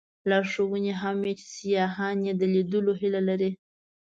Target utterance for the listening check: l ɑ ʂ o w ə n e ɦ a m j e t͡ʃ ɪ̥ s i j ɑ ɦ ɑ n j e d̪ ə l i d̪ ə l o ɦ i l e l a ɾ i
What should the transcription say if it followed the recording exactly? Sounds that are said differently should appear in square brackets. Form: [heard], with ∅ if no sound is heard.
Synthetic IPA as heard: l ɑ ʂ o w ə n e ɦ a m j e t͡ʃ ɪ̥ s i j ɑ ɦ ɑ n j e d̪ ə l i d̪ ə l o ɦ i l [a] l a ɾ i